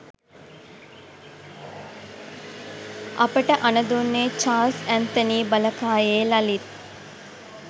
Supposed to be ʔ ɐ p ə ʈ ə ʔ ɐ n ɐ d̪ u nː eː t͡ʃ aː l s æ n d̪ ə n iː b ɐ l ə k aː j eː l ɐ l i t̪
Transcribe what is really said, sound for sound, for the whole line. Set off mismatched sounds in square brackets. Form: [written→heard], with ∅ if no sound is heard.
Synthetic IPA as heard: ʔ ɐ p ə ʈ ə ʔ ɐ n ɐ d̪ u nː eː t͡ʃ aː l s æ n [d̪→t̪] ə n iː b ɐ l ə k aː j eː l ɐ l i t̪